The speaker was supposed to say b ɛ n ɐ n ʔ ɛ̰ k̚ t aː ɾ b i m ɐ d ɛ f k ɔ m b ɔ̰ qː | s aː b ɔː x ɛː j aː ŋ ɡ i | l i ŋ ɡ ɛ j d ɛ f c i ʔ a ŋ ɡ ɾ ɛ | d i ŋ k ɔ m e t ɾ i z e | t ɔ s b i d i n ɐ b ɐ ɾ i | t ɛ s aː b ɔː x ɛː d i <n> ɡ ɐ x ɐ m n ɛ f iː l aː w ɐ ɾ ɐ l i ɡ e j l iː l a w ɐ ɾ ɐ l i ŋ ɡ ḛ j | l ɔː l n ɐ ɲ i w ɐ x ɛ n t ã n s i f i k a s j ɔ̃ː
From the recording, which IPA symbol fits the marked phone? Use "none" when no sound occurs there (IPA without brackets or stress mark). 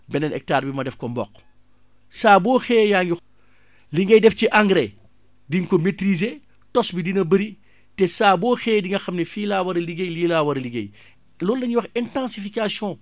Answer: ŋ